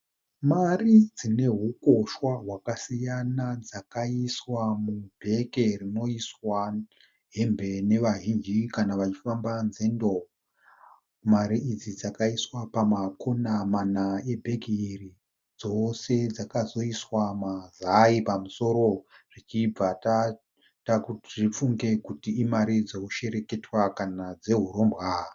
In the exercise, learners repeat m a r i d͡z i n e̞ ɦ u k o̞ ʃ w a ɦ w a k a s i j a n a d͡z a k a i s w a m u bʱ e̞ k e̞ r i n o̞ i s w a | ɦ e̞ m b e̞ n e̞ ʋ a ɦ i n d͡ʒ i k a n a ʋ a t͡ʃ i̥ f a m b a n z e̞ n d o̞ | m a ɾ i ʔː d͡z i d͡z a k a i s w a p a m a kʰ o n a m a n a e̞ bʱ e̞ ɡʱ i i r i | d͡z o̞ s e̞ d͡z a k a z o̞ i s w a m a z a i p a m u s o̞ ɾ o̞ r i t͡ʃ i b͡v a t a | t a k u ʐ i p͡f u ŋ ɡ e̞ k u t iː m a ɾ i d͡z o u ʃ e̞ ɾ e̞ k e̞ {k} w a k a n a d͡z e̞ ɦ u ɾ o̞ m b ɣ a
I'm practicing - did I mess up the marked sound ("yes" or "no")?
yes